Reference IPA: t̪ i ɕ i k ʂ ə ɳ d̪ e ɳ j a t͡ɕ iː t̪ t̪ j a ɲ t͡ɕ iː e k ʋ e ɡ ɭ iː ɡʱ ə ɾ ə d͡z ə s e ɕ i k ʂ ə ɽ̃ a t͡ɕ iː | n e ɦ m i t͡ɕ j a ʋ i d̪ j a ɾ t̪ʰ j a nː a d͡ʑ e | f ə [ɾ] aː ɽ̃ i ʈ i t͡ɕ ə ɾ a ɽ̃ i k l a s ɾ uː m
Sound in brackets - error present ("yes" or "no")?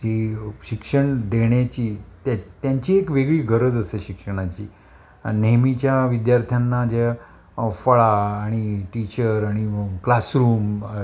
yes